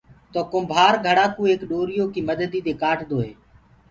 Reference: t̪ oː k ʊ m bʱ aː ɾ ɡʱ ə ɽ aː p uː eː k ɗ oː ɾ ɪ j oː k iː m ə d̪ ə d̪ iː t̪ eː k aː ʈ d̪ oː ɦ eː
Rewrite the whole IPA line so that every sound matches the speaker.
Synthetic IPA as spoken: t̪ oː k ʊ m bʱ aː ɾ ɡʱ ə ɽ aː k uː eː k ɗ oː ɾ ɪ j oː k iː m ə d̪ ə d̪ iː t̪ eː k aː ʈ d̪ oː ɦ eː